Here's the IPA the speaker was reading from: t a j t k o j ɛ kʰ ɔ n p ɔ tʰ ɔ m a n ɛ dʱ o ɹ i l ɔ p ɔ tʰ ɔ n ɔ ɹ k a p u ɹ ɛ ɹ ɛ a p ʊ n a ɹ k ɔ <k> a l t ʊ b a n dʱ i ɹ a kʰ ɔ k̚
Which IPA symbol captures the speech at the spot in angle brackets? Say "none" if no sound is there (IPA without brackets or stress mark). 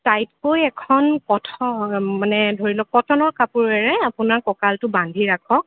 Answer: k